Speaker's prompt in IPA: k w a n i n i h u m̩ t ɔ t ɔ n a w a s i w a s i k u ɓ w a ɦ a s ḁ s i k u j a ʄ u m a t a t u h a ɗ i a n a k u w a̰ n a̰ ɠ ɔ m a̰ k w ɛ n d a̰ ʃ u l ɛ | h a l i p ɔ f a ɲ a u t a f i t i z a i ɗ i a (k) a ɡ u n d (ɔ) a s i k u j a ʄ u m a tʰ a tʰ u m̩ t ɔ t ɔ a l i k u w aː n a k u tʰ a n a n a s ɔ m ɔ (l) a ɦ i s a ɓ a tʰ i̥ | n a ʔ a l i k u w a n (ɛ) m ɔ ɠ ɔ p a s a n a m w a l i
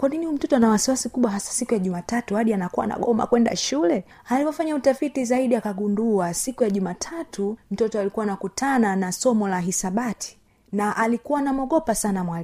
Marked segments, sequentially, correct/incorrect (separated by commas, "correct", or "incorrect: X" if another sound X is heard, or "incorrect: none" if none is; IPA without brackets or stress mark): correct, incorrect: u, correct, incorrect: a